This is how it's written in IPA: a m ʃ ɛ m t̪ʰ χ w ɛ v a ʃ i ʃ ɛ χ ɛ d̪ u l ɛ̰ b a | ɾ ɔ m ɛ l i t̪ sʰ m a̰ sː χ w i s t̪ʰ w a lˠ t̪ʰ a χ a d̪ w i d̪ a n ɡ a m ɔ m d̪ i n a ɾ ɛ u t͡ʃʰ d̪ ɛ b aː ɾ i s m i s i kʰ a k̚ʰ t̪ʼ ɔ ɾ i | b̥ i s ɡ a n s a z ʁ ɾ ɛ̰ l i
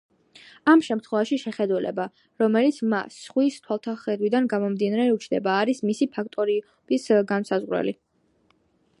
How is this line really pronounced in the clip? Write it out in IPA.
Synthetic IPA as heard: a m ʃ ɛ m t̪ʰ χ w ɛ v a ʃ i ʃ ɛ χ ɛ d̪ u l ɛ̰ b a | ɾ ɔ m ɛ l i t̪ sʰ m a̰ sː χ w i s t̪ʰ w a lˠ t̪ʰ a χ ɛ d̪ w i d̪ a n ɡ a m ɔ m d̪ i n a ɾ ɛ u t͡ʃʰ d̪ ɛ b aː ɾ i s m i s i pʰ a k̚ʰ t̪ʼ ɔ ɾ i | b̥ i s ɡ a n s a z ʁ ɾ ɛ̰ l i